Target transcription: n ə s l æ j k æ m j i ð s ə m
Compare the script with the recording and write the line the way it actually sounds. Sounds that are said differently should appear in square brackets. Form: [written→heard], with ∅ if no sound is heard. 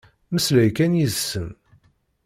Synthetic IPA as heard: [n→m] ə s l æ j k æ [m→n] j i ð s ə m